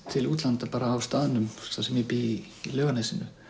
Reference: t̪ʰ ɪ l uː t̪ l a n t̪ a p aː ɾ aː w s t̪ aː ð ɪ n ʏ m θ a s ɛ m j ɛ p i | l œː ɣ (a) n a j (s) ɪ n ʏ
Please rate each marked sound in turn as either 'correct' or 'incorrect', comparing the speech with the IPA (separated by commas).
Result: correct, correct